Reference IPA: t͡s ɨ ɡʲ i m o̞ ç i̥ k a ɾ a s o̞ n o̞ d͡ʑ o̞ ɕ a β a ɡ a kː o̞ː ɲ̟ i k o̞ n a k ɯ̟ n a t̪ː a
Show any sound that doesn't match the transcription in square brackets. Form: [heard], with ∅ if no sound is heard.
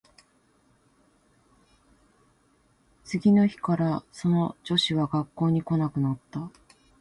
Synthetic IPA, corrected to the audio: t͡s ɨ ɡʲ i [n] o̞ ç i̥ k a ɾ a s o̞ n o̞ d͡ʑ o̞ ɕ [i] β a ɡ a kː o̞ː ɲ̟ i k o̞ n a k ɯ̟ n a t̪ː a